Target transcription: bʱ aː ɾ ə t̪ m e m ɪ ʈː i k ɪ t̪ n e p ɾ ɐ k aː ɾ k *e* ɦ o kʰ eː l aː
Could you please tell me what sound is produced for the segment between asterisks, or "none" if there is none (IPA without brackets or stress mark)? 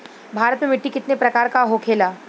a